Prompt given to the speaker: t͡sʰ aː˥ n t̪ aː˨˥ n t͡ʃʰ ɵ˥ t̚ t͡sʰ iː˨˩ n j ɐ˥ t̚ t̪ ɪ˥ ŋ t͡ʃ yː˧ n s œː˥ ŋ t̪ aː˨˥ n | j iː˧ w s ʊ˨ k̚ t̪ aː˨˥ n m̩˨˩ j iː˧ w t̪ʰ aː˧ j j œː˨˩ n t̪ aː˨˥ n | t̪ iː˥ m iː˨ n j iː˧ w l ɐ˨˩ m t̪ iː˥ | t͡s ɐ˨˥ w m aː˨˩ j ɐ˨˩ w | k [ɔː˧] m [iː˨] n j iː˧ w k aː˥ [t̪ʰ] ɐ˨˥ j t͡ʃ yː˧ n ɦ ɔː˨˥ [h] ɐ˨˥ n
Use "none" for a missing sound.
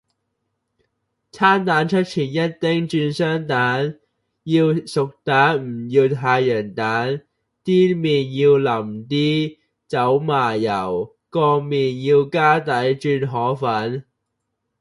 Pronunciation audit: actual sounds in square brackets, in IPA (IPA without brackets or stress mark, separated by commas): ɔː˧, iː˨, t̪, f